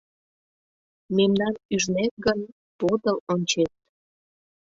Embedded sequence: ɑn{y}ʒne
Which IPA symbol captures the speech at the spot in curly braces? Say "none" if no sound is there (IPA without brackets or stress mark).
y